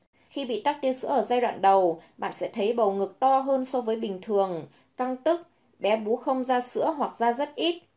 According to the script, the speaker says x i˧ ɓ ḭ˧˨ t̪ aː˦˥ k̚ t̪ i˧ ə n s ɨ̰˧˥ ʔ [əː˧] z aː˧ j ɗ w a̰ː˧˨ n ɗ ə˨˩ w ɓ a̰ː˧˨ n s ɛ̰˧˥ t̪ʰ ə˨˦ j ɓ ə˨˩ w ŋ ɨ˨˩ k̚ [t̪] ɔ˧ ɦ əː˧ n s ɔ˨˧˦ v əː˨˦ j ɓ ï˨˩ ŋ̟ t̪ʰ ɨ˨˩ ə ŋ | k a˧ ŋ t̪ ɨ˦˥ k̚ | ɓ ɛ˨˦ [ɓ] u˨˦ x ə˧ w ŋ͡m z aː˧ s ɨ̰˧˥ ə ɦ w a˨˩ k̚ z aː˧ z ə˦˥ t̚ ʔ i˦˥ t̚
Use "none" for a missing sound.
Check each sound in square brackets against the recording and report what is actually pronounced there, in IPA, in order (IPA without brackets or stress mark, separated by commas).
əː˧˩, t̪, ɓ